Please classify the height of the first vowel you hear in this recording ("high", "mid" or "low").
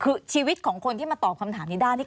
high